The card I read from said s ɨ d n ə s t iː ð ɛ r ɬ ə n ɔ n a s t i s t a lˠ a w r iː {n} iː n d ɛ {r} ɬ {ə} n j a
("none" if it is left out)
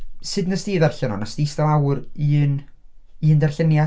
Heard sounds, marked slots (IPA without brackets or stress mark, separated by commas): n, r, ə